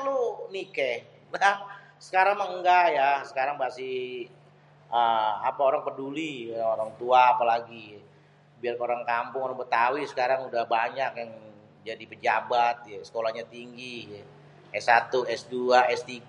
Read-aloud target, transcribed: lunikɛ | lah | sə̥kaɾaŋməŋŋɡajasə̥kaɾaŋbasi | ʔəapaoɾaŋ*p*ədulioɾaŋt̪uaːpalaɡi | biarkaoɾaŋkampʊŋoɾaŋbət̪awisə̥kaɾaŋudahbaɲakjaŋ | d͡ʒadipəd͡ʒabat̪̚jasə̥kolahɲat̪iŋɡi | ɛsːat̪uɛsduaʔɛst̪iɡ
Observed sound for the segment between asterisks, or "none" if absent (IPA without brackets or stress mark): p